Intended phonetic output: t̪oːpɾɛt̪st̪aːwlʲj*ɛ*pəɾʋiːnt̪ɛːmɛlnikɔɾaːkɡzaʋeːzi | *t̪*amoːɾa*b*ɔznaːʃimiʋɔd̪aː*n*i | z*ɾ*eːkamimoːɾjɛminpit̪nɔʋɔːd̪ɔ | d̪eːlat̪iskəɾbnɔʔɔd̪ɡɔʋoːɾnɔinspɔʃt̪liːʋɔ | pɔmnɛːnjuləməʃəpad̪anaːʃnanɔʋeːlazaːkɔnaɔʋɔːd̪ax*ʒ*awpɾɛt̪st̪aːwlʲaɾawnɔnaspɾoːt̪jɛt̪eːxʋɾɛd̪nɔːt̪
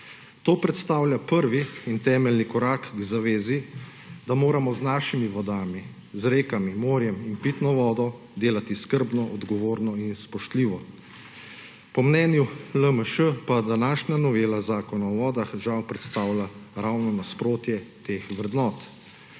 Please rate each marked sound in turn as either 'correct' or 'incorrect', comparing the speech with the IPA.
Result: incorrect, incorrect, incorrect, incorrect, correct, correct

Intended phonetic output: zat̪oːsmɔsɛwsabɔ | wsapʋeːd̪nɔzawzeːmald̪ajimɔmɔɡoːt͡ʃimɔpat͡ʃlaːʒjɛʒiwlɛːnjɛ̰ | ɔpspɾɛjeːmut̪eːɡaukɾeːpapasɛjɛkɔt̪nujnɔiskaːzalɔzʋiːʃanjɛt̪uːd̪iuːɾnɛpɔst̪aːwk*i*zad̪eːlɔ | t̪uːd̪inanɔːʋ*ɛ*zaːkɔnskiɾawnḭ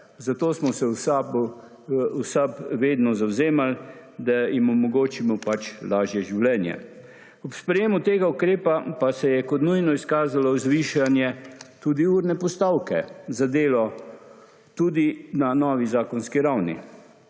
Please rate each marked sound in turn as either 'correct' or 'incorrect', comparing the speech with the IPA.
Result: incorrect, incorrect

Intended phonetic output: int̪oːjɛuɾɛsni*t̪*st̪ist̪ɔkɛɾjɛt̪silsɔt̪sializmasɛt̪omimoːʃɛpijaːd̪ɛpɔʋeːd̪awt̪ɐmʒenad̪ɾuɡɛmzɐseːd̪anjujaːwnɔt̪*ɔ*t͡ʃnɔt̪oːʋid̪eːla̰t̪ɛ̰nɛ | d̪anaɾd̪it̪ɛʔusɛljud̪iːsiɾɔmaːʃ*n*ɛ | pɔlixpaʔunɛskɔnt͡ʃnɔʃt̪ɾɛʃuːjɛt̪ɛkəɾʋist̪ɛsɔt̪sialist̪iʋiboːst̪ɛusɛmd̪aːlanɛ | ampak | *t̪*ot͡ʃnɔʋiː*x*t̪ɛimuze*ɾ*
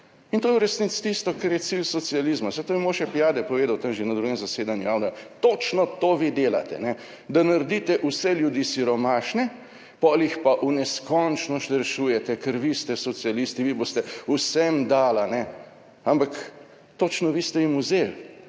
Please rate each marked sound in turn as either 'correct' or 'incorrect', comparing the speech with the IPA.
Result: correct, incorrect, correct, correct, incorrect, incorrect

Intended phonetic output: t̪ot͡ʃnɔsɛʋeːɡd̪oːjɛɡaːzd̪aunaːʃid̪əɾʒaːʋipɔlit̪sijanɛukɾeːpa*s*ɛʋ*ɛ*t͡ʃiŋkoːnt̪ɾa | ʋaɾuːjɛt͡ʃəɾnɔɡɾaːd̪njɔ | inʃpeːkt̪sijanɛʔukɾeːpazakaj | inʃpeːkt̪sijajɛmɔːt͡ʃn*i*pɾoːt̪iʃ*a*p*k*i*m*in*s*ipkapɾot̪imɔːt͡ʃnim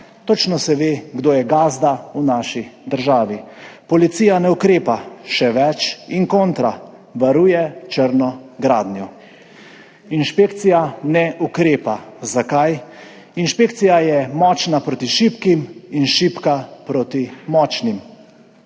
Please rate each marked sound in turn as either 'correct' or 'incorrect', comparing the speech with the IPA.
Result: incorrect, correct, incorrect, incorrect, correct, correct, incorrect

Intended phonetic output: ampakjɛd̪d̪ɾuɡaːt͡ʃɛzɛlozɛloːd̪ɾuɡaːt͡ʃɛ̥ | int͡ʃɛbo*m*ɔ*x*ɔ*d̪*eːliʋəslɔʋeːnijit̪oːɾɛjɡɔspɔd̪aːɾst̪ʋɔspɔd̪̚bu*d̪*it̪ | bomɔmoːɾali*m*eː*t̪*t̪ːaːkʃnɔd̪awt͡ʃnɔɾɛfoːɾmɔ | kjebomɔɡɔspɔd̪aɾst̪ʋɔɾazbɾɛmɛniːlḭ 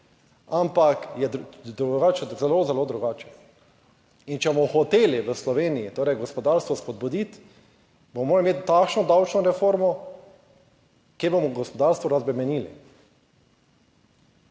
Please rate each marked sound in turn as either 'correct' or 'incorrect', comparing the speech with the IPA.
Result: correct, correct, incorrect, correct, correct, correct

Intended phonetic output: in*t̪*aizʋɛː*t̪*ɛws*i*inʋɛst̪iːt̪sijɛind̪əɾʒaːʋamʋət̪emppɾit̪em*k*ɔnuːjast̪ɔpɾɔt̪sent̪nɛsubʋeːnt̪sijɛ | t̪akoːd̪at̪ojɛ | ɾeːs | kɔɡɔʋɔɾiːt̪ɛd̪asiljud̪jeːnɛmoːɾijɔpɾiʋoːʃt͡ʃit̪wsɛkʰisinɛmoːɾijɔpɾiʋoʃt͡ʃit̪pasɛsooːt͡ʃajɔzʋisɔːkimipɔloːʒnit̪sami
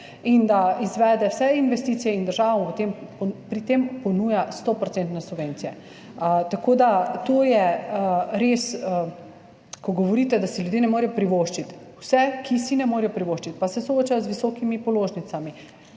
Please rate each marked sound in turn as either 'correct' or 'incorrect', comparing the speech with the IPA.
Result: incorrect, incorrect, incorrect, incorrect

